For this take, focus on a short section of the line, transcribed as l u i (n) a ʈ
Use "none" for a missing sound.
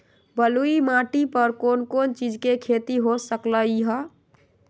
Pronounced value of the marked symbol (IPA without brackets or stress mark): m